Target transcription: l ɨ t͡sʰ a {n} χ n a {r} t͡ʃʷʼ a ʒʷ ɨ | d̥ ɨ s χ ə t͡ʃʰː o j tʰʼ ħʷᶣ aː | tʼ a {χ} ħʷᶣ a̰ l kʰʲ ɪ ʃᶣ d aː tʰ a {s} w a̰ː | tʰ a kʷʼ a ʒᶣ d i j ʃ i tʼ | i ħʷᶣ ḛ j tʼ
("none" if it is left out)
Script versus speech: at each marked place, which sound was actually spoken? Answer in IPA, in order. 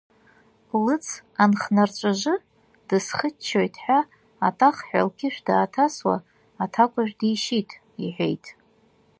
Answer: n, r, χ, s

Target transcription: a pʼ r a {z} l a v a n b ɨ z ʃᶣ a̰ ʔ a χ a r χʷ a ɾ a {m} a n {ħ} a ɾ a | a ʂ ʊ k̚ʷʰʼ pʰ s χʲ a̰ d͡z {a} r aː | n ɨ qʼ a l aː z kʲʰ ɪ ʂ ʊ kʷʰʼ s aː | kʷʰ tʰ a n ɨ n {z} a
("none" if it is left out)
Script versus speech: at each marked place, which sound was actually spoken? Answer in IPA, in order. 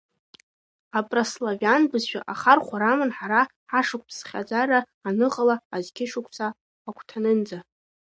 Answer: s, m, ħ, a, d͡z

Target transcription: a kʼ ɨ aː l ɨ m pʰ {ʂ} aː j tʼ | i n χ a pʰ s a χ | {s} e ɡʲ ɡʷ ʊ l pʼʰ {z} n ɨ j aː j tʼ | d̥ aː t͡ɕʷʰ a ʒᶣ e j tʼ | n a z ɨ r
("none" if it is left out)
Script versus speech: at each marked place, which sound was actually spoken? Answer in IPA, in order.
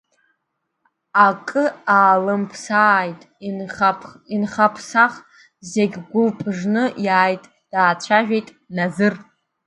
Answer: s, z, ʐ

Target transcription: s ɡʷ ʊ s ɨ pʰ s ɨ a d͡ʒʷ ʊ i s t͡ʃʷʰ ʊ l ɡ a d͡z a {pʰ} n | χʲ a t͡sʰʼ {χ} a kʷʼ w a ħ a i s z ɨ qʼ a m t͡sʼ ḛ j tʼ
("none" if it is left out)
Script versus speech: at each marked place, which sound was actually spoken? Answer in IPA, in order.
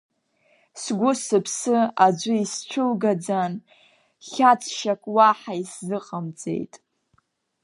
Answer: none, ʃ

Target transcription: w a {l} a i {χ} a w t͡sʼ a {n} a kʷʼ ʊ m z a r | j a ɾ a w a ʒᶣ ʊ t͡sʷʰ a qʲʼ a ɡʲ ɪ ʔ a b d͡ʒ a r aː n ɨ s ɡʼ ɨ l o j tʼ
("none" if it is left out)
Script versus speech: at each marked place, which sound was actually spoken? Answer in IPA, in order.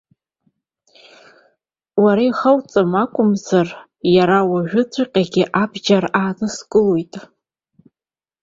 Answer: ɾ, χ, m

